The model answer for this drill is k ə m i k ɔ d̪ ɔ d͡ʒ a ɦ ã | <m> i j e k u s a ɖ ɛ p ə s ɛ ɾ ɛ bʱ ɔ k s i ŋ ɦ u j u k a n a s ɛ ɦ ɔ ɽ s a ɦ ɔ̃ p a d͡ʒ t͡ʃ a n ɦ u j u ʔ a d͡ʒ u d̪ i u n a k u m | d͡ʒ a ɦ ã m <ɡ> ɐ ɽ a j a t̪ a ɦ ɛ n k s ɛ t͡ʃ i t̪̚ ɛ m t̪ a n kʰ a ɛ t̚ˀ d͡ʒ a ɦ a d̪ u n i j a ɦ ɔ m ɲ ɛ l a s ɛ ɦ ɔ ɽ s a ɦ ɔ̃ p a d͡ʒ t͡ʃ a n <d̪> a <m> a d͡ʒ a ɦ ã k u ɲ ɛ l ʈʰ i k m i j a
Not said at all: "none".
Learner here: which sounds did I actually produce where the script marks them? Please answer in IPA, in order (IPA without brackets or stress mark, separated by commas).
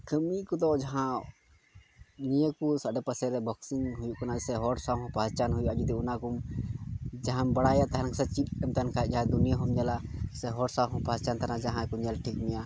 n, b, t̪, n